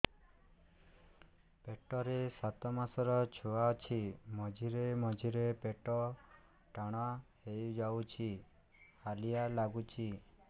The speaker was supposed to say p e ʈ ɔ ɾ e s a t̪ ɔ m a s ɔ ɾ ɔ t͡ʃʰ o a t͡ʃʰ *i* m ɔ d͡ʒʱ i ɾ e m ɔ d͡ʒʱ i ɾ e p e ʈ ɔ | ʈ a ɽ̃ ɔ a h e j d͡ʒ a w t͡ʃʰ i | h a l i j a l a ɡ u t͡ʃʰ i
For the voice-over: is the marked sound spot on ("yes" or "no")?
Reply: yes